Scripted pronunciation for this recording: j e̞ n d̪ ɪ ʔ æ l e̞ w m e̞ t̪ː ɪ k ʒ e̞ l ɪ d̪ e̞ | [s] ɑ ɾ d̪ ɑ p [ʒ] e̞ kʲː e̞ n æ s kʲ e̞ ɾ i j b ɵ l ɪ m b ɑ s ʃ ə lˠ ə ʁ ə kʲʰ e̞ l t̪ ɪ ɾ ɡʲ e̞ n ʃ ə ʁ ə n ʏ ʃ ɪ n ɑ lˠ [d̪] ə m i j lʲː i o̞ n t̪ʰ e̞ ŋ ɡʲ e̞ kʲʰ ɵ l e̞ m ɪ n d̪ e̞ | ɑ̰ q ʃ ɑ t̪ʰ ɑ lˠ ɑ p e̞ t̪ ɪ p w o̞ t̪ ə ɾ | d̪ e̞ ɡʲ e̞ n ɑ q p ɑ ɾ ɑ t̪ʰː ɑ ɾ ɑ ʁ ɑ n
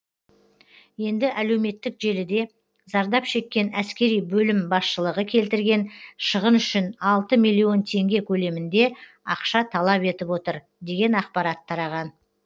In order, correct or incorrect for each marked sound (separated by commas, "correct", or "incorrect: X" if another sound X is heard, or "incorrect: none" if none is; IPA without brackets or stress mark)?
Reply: incorrect: z, incorrect: ʃ, incorrect: t̪